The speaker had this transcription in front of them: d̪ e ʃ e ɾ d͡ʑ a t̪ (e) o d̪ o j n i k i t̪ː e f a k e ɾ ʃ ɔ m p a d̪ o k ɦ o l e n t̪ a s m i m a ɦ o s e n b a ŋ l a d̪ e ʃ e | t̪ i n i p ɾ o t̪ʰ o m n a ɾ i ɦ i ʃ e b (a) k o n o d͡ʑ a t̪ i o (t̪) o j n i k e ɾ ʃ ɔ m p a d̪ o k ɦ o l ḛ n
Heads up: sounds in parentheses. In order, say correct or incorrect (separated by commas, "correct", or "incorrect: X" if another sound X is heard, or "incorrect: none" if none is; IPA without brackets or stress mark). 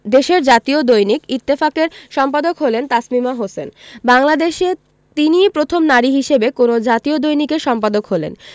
incorrect: i, incorrect: e, incorrect: d̪